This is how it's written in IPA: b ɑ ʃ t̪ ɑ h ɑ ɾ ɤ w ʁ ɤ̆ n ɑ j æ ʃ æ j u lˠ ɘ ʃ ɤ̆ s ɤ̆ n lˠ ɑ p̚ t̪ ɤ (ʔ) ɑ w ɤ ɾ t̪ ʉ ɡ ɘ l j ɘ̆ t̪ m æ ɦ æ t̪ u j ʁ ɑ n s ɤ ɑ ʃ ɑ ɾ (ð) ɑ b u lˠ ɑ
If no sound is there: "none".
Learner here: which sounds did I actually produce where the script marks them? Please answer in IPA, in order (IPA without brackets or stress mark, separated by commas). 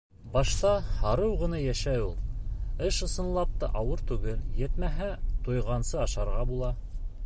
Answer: ʔ, ʁ